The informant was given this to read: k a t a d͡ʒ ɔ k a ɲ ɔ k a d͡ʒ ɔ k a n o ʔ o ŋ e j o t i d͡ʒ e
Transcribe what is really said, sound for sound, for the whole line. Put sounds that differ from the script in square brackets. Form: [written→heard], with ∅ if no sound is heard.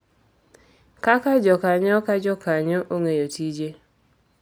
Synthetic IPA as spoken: k a [t→k] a d͡ʒ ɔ k a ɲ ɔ k a d͡ʒ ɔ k a [n→ɲ] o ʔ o ŋ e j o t i d͡ʒ e